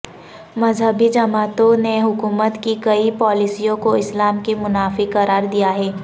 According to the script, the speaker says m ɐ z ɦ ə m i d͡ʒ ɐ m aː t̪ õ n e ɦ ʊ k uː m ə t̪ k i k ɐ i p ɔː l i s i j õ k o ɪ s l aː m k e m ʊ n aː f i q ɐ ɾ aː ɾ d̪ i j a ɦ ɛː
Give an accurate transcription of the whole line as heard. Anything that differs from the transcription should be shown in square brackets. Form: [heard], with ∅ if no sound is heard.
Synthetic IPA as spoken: m ɐ z ɦ ə [b] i d͡ʒ ɐ m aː t̪ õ n e ɦ ʊ k uː m ə t̪ k i k ɐ i p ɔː l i s i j õ k o ɪ s l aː m k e m ʊ n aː f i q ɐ ɾ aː ɾ d̪ i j a ɦ ɛː